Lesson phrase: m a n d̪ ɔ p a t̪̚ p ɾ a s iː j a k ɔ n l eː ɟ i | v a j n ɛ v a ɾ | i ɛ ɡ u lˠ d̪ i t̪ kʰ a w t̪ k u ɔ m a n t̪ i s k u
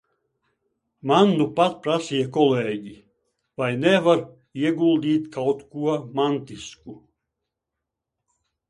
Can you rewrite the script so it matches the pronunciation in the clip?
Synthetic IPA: m a n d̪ u p a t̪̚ p ɾ a s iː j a k ɔ l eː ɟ i | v a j n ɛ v a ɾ | i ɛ ɡ u lˠ d̪ iː t̪ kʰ a w t̪ k u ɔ m a n t̪ i s k u